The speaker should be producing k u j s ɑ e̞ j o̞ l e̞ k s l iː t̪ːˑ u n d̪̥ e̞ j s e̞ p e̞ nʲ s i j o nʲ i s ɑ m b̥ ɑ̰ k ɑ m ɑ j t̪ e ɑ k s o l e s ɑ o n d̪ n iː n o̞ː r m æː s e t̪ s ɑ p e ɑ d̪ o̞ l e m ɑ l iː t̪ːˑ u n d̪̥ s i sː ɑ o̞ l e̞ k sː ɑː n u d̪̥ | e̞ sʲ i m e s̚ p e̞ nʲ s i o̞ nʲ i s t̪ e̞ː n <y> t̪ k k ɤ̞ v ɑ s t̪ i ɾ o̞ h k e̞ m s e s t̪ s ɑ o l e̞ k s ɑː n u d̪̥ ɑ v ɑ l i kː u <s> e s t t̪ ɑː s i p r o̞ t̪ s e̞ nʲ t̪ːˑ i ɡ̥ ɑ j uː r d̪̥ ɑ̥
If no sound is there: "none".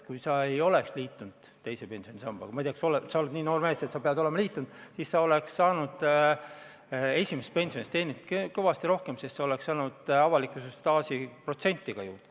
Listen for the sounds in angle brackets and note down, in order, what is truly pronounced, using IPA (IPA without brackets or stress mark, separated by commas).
i, s